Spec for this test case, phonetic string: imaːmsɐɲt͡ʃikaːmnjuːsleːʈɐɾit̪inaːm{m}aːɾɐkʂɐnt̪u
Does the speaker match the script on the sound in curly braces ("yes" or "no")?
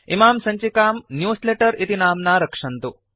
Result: no